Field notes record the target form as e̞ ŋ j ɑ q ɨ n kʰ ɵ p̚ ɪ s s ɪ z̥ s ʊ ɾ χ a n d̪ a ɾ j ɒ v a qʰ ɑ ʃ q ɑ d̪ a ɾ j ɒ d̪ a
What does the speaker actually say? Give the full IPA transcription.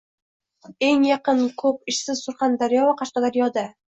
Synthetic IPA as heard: e̞ ŋ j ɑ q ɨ n kʰ ɵ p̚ ɪ ʃ s ɪ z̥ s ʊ ɾ χ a n d̪ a ɾ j ɒ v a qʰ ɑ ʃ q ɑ d̪ a ɾ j ɒ d̪ a

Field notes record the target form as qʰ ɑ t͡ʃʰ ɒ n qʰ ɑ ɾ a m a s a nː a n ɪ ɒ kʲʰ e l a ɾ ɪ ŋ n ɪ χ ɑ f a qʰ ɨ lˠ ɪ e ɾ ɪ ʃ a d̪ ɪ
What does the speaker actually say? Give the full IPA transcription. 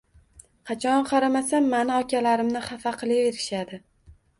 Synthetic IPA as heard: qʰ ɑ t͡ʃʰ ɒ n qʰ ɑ ɾ a m a s a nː a n ɪ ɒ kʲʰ a l a ɾ ɪ m n ɪ χ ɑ f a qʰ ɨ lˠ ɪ e ɾ ɪ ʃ a d̪ ɪ

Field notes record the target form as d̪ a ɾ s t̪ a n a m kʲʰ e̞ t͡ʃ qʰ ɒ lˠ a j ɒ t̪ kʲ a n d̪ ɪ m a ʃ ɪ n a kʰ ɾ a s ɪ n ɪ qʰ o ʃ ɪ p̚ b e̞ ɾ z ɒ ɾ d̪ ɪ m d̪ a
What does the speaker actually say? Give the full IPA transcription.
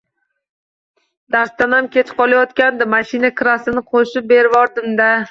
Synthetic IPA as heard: d̪ a ɾ s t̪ a n a m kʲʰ e̞ t͡ʃ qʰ ɒ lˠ a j ɒ t̪ kʲ a n d̪ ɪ m a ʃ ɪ n a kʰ ɾ a s ɪ n ɪ qʰ o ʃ ɪ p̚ b e̞ ɾ v ɒ ɾ d̪ ɪ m d̪ a

